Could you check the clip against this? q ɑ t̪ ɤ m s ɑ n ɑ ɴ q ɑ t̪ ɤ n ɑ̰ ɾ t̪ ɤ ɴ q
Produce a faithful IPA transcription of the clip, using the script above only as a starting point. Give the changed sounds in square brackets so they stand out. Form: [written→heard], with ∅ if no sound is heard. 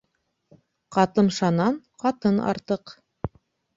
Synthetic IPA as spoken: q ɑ t̪ ɤ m [s→ʃ] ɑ n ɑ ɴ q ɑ t̪ ɤ n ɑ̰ ɾ t̪ ɤ [ɴ→∅] q